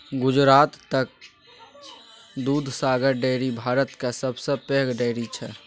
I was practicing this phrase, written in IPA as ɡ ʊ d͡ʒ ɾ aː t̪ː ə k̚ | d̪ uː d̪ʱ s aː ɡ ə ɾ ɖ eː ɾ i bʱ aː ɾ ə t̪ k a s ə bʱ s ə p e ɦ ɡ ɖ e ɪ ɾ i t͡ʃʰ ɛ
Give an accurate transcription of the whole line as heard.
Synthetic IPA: ɡ ʊ d͡ʒ ɾ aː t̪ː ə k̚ | d̪ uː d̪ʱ s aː ɡ ə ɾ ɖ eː ɾ i bʱ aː ɾ ə t̪ k a s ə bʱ s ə p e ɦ ɡ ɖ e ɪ ɾ i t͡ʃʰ ɛ